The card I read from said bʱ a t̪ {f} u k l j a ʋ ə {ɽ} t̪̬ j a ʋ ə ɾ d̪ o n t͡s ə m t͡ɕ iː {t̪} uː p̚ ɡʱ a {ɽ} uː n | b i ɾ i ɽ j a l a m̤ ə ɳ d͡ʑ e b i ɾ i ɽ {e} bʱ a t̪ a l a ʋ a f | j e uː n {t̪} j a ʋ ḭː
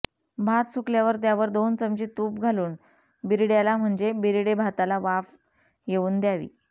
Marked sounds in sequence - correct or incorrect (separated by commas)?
incorrect, incorrect, correct, incorrect, correct, incorrect